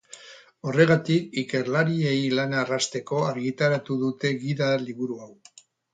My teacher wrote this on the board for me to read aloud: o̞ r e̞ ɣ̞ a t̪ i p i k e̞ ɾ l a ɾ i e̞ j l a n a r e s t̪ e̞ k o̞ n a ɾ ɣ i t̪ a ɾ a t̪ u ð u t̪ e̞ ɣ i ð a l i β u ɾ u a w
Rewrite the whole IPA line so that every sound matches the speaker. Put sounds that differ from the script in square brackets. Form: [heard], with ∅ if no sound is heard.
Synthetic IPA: o̞ r e̞ ɣ̞ a t̪ i [k] i k e̞ ɾ l a ɾ i e̞ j l a n a r [a] s t̪ e̞ k o̞ [∅] a ɾ ɣ i t̪ a ɾ a t̪ u ð u t̪ e̞ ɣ i ð a l i β u ɾ u a w